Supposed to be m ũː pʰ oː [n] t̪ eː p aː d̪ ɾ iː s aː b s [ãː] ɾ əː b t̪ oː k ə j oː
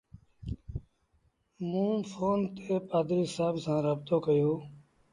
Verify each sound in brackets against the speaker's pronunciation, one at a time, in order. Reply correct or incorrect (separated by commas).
correct, correct